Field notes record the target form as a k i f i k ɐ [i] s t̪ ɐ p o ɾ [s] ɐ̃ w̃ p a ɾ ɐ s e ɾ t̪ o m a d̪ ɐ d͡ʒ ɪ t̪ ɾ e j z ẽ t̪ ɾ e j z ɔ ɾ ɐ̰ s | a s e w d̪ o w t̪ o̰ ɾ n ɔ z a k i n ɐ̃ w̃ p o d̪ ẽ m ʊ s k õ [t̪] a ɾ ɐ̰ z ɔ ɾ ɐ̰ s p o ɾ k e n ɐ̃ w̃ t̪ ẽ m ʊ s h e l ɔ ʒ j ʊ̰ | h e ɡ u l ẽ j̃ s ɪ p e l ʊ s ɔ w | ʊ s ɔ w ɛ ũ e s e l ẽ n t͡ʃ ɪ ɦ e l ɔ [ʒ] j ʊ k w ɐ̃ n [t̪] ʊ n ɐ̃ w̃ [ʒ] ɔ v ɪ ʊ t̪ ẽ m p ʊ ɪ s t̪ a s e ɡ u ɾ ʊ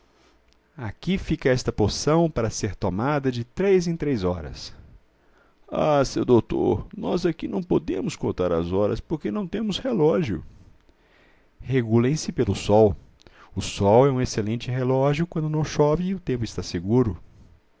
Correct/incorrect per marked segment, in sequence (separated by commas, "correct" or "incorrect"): incorrect, correct, correct, correct, incorrect, incorrect